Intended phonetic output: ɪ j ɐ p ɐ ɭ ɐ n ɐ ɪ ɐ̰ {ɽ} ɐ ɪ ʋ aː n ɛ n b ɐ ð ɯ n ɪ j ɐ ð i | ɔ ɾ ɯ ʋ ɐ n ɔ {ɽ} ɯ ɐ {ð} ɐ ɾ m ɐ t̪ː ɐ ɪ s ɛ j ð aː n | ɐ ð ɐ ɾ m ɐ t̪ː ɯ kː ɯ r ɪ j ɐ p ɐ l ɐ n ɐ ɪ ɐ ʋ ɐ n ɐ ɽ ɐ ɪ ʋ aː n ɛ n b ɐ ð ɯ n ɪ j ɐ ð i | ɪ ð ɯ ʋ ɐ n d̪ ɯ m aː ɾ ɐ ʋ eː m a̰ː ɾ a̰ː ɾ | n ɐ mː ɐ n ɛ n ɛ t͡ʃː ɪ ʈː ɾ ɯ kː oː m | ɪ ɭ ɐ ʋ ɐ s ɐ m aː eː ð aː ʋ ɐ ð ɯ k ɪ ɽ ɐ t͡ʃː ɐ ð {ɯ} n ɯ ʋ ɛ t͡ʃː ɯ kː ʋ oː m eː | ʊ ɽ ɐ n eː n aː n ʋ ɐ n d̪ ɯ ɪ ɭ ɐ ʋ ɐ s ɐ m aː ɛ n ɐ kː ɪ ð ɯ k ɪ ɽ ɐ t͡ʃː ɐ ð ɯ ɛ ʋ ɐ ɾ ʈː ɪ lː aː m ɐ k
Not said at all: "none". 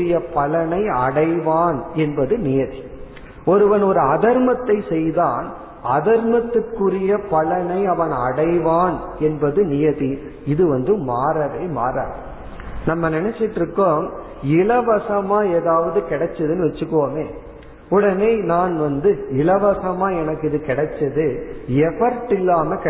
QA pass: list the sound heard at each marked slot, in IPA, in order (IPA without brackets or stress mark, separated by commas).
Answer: ɽ, ɾ, ð, ɯ